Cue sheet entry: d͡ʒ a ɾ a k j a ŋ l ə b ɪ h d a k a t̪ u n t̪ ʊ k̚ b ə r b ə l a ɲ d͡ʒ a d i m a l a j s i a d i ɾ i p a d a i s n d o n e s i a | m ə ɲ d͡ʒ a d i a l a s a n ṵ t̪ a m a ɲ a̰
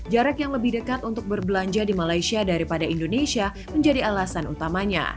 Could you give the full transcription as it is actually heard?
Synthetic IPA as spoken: d͡ʒ a ɾ a k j a ŋ l ə b ɪ h d ə k a t̪ u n t̪ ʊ k̚ b ə r b ə l a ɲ d͡ʒ a d i m a l a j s i a d a ɾ i p a d a i n d o n e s i a | m ə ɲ d͡ʒ a d i a l a s a n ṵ t̪ a m a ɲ a̰